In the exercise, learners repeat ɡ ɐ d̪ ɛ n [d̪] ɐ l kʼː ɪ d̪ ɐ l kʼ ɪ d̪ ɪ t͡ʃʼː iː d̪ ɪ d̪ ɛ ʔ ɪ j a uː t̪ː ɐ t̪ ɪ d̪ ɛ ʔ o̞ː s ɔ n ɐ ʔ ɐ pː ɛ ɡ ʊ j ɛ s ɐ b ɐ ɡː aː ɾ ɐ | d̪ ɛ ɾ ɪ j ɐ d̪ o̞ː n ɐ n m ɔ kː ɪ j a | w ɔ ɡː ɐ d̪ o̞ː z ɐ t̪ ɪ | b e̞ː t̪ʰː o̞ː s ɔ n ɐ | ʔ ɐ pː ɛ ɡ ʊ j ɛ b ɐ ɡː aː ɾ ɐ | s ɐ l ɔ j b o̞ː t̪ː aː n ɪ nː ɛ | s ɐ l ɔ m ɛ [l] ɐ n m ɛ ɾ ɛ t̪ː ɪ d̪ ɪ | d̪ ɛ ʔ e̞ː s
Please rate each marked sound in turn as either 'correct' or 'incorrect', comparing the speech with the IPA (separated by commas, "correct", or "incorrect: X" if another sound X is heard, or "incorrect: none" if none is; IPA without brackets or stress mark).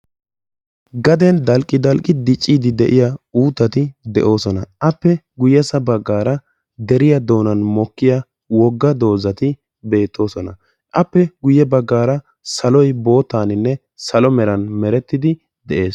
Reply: correct, incorrect: ɾ